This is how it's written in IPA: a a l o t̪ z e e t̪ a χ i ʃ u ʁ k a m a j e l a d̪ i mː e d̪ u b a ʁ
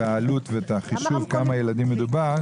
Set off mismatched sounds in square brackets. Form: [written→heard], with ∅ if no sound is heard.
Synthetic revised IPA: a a l [o→u] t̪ [z→v] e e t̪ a χ i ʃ u [ʁ→v] k a m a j e l a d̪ i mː e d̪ u b a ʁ